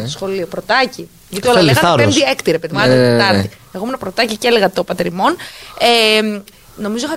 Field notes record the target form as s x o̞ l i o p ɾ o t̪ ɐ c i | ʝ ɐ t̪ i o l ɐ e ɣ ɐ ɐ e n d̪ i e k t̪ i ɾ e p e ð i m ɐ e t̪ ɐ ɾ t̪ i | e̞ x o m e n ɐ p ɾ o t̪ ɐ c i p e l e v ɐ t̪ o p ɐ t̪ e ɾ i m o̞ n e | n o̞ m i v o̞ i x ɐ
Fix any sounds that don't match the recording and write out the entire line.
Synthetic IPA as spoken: s x o̞ l i o p ɾ o t̪ ɐ c i | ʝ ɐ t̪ i o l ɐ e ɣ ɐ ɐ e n d̪ i e k t̪ i ɾ e p e ð i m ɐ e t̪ ɐ ɾ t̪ i | e̞ ɣ o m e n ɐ p ɾ o t̪ ɐ c i c e l e ɣ ɐ t̪ o p ɐ t̪ e ɾ i m o̞ n e | n o̞ m i z o̞ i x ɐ